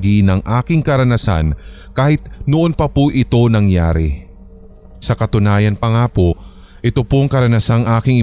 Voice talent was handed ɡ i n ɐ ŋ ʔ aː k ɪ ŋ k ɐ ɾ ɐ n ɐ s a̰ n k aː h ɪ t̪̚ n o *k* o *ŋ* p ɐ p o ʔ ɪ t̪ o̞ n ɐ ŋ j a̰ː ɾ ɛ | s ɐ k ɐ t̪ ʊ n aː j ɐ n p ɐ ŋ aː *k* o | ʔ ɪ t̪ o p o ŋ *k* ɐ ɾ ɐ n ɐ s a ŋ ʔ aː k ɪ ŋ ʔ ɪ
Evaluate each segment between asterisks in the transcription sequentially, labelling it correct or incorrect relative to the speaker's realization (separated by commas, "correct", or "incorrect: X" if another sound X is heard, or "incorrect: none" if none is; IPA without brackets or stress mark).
incorrect: ʔ, incorrect: n, incorrect: p, correct